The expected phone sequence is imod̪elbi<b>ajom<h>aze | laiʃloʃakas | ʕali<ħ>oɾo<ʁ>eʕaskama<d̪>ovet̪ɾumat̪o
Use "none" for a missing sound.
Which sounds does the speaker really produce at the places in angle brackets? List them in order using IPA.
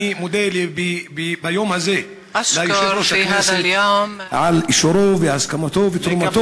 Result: b, h, ʃ, v, t̪

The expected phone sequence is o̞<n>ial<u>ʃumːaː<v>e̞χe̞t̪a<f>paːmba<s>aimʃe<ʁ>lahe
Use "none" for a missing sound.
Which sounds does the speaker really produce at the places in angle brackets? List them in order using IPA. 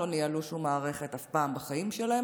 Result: n, u, ʁ, f, χ, none

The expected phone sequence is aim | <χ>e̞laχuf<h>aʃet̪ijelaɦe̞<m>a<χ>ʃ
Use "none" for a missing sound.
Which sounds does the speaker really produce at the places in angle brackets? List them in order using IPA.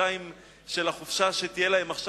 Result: ʃ, ʃ, m, χ

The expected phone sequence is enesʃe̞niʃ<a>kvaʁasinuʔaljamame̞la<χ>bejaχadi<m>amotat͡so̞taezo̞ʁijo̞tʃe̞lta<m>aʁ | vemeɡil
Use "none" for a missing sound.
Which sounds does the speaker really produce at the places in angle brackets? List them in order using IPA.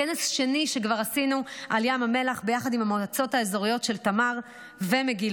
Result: e, χ, m, m

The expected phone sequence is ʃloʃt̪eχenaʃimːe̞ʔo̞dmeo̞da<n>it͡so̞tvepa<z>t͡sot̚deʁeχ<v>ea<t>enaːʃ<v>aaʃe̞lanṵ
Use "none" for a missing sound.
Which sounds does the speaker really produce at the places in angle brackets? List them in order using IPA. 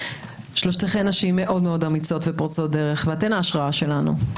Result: m, ʁ, v, t, ʁ

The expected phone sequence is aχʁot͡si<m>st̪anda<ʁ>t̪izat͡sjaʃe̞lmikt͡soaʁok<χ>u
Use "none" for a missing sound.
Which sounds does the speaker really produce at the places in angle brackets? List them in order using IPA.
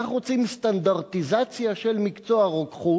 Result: m, ʁ, χ

